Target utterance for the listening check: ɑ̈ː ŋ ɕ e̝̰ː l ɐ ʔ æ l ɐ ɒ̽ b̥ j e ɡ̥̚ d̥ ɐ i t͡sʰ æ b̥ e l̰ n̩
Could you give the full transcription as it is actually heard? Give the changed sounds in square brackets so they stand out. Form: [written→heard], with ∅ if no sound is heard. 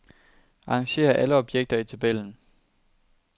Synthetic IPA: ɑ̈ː ŋ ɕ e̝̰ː [l→∅] ɐ ʔ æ l [ɐ→ə] ɒ̽ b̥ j e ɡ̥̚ d̥ ɐ i t͡sʰ æ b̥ e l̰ n̩